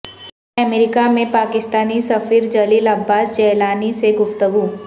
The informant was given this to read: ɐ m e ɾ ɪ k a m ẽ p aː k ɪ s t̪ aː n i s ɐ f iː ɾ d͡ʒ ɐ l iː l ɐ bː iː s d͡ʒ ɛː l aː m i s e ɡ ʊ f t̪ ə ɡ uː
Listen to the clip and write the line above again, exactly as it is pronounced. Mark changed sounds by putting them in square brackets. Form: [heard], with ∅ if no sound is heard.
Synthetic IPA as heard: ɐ m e ɾ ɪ k a m ẽ p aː k ɪ s t̪ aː n i s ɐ f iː ɾ d͡ʒ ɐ l iː l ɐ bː [aː] s d͡ʒ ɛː l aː [n] i s e ɡ ʊ f t̪ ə ɡ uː